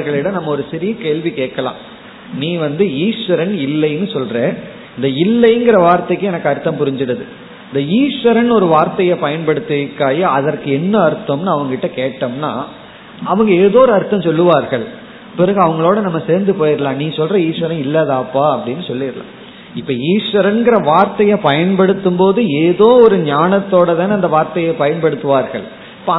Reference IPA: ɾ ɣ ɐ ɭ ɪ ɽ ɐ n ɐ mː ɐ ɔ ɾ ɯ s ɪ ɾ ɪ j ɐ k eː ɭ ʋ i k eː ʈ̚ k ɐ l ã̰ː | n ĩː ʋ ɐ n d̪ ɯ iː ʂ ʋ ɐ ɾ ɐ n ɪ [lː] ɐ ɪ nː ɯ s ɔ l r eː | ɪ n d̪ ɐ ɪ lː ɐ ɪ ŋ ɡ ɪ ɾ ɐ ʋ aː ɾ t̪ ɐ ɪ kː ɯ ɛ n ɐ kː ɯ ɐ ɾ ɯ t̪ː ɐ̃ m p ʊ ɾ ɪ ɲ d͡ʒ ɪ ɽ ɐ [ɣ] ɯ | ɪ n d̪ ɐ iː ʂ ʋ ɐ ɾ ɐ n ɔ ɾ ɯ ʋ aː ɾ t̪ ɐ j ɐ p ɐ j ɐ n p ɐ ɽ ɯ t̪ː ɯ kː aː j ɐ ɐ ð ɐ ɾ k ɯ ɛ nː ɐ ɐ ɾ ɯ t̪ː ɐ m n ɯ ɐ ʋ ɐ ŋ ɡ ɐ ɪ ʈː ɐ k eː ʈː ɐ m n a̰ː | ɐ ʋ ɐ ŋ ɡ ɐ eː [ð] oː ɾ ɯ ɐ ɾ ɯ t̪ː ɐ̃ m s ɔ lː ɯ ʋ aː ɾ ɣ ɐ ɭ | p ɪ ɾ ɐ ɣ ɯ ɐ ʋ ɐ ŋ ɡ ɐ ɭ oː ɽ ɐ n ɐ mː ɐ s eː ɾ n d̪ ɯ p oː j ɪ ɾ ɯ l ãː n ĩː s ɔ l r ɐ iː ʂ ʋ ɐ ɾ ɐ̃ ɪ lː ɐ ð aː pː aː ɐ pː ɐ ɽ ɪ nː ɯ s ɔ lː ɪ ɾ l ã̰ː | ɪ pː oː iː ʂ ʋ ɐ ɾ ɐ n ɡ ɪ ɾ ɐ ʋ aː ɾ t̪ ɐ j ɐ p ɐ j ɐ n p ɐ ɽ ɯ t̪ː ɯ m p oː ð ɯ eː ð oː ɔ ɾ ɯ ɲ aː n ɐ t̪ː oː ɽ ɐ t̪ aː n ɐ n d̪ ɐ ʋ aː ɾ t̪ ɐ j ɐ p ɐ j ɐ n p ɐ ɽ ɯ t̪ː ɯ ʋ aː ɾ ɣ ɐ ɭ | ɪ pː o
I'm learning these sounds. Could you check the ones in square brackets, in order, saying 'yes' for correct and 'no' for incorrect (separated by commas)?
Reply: yes, no, yes